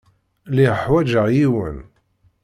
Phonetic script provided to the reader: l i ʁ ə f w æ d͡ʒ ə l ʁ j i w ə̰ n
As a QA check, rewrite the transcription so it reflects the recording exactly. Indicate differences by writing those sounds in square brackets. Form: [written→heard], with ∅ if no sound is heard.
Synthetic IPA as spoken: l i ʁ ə [f→ħ] w æ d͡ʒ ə [l→∅] ʁ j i w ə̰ n